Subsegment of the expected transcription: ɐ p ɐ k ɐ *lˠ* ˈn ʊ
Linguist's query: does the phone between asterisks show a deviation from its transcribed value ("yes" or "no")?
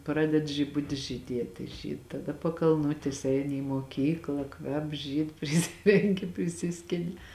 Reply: no